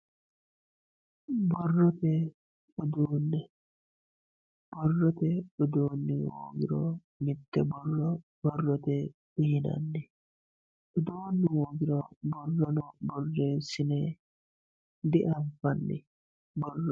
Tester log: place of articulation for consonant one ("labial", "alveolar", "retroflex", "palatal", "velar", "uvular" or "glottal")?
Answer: labial